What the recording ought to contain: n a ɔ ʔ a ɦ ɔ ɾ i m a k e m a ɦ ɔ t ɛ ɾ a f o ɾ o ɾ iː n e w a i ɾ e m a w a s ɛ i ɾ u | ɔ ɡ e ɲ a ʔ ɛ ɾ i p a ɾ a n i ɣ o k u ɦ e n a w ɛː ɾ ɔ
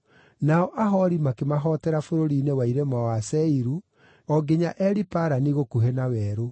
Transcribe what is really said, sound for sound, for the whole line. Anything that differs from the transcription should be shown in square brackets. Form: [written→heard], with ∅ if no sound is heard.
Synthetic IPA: n a ɔ ʔ a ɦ ɔ ɾ i m a k e m a ɦ ɔ t ɛ ɾ a f o ɾ o ɾ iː n e w a i ɾ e m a w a s ɛ i ɾ u | ɔ ɡ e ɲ a ʔ ɛ ɾ i p a ɾ a n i ɣ o k u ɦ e n a w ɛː ɾ [ɔ→o]